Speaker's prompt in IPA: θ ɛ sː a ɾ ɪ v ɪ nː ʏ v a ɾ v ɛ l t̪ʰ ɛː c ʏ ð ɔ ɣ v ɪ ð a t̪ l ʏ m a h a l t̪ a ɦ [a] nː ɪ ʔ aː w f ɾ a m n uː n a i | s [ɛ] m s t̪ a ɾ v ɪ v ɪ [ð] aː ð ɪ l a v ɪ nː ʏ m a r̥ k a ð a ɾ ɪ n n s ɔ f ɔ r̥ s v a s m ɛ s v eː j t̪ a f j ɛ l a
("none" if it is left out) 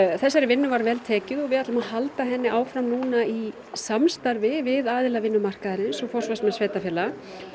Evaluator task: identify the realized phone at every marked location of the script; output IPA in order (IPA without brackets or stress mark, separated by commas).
ɛ, a, ð